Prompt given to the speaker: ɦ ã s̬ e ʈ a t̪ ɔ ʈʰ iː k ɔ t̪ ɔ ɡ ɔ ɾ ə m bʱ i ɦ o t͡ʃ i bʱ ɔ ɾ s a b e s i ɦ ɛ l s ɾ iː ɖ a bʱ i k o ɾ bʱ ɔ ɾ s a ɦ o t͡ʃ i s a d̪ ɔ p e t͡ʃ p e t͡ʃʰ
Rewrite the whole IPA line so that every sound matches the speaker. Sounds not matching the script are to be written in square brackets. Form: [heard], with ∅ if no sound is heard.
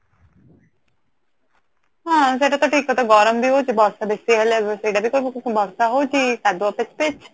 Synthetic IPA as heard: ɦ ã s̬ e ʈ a t̪ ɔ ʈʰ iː k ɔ t̪ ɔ ɡ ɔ ɾ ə m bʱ i ɦ o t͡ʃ i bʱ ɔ ɾ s a b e s i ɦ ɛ l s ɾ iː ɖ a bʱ i k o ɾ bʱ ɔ ɾ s a ɦ o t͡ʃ i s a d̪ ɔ p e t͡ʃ p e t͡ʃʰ